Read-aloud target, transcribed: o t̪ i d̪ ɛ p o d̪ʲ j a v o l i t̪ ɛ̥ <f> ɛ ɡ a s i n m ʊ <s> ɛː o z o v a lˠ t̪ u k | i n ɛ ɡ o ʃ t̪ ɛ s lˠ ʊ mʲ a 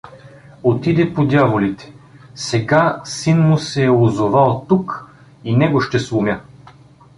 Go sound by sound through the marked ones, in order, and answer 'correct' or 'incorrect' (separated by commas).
incorrect, correct